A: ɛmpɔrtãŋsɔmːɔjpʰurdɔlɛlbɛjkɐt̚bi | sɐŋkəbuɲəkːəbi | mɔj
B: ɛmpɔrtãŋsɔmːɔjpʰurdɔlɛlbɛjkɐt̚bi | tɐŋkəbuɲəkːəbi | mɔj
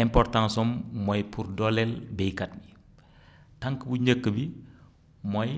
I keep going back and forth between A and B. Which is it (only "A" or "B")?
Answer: B